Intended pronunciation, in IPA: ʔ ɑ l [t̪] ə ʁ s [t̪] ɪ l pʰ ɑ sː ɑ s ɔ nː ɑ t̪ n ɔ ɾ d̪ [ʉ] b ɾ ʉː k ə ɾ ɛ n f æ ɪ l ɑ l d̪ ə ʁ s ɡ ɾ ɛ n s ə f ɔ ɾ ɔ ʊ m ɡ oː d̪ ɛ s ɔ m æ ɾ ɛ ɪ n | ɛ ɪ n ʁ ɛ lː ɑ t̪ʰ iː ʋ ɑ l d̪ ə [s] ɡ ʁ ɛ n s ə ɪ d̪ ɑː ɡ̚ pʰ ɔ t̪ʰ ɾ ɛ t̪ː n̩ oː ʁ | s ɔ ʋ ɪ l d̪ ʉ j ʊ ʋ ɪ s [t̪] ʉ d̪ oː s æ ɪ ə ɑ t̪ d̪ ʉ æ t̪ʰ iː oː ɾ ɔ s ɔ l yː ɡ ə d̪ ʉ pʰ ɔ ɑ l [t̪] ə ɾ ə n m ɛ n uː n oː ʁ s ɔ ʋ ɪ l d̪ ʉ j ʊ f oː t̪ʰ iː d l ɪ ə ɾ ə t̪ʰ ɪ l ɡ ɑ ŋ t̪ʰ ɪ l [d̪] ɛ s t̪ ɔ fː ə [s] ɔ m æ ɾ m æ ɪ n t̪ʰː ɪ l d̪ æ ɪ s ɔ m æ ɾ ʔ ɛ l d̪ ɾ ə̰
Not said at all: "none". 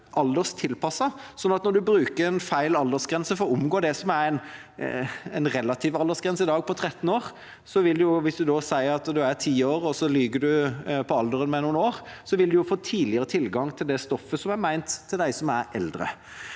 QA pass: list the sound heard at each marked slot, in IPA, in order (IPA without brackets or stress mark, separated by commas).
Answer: d̪, t̪ʰ, ʉ, s, d̪, d̪, d̪, s